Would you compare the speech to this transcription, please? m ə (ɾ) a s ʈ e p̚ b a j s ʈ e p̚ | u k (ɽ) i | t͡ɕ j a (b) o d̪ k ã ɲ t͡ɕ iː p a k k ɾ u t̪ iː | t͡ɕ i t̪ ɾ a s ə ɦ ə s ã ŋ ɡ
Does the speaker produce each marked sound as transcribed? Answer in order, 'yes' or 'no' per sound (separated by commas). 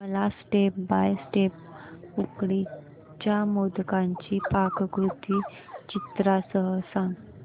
no, yes, no